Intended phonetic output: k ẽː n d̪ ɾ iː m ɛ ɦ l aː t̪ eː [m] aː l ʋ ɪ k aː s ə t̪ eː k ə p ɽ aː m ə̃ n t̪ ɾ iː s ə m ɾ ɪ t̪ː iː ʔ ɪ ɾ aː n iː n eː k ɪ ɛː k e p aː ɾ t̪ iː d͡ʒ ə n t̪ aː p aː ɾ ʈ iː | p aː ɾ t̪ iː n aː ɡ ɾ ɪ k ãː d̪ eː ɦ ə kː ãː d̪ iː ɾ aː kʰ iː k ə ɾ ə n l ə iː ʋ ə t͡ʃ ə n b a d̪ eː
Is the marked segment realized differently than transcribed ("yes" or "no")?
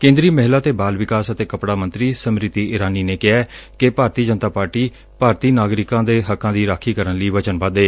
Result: yes